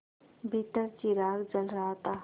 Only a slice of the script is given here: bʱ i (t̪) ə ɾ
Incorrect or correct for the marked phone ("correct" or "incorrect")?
correct